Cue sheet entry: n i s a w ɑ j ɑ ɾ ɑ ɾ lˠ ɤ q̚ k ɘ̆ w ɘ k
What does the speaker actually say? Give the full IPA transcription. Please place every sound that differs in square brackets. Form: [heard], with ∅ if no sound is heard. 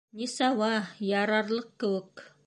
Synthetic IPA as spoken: n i s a w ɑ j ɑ ɾ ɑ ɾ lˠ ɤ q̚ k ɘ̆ w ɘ k